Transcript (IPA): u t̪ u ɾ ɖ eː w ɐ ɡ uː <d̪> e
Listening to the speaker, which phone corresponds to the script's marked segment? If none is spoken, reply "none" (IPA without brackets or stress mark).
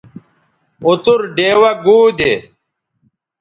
d̪